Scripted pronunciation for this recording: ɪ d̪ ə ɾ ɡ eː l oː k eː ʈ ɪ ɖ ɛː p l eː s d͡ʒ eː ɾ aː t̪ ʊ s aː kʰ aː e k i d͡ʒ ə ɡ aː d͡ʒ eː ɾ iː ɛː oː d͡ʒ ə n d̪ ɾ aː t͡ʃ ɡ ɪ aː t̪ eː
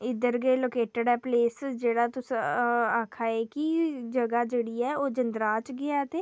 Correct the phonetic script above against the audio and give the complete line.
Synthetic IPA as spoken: ɪ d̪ ə ɾ ɡ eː l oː k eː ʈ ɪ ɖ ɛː p l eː s d͡ʒ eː ɽ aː t̪ ʊ s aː kʰ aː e k i d͡ʒ ə ɡ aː d͡ʒ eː ɽ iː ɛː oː d͡ʒ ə n d̪ ɾ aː t͡ʃ ɡ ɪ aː t̪ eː